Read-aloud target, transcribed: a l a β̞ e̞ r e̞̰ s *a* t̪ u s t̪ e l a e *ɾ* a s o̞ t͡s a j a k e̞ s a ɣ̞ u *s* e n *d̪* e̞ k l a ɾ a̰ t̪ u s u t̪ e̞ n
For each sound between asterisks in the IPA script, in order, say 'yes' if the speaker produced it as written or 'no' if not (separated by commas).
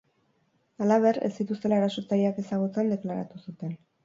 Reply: no, yes, no, yes